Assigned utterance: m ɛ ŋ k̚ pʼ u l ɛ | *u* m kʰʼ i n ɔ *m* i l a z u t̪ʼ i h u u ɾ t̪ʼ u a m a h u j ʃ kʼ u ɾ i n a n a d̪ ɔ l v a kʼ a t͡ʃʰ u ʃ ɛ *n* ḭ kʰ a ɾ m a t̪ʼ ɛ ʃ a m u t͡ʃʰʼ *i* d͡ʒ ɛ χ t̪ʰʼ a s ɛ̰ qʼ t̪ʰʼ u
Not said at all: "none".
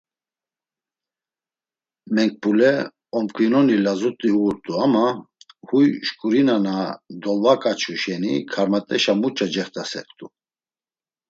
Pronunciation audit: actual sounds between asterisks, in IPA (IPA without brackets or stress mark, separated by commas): ɔ, n, n, a